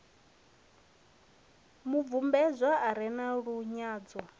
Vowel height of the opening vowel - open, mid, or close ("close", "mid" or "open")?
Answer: close